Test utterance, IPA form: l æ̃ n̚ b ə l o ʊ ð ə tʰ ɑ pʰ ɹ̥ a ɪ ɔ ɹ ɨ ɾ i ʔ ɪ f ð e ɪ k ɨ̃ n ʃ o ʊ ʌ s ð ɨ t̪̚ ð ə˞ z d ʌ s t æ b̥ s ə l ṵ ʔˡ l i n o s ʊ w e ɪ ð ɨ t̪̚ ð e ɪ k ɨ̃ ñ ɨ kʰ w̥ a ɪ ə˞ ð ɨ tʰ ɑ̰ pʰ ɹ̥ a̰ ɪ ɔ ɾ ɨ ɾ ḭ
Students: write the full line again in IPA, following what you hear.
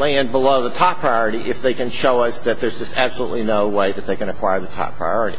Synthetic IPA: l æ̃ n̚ b ə l o ʊ ð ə tʰ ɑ pʰ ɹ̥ a ɪ ɔ ɹ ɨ ɾ i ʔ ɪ f ð e ɪ k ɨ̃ n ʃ o ʊ ʌ s ð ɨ t̪̚ ð ə˞ z d͡ʒ ʌ s t æ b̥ s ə l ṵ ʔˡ l i n o ʊ w e ɪ ð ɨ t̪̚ ð e ɪ k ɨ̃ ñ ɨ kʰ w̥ a ɪ ə˞ ð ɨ tʰ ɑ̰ pʰ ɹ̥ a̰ ɪ ɔ ɹ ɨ ɾ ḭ

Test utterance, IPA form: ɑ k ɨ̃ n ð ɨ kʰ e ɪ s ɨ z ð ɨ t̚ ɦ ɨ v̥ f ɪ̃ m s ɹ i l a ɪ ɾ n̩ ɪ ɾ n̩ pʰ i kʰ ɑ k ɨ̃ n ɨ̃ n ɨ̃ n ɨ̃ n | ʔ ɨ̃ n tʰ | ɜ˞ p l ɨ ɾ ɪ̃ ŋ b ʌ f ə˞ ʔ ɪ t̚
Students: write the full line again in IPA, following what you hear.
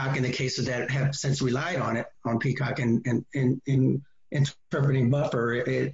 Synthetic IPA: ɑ k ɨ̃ n ð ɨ kʰ e ɪ s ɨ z ð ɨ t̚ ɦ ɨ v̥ s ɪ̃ n s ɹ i l a ɪ ɾ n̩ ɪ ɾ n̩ pʰ i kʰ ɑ k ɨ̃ n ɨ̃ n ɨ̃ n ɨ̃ n | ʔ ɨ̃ n tʰ | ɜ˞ p ɹ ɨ ɾ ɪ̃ ŋ b ʌ f ə˞ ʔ ɪ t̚

